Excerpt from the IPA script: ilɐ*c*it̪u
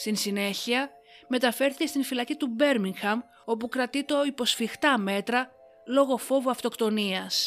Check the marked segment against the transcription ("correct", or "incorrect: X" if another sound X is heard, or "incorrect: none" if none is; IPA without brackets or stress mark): correct